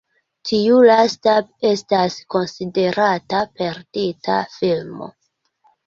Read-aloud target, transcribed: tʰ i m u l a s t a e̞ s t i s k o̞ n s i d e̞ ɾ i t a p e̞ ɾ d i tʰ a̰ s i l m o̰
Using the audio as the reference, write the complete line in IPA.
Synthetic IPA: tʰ i u l a s t a e̞ s t a s k o̞ n s i d e̞ ɾ a t a p e̞ ɾ d i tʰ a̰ f i l m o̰